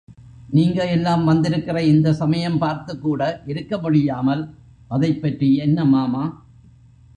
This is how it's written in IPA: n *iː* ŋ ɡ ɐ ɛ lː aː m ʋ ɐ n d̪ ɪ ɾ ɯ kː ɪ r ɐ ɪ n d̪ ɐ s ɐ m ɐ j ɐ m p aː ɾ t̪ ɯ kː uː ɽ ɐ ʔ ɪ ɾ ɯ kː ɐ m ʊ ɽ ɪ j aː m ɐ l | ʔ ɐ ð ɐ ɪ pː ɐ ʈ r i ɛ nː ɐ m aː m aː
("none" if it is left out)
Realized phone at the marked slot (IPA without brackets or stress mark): iː